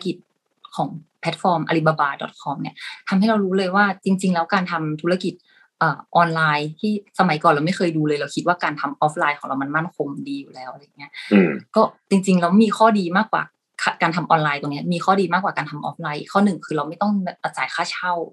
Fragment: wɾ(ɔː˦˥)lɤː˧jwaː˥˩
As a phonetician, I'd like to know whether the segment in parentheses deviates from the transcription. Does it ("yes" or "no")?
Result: yes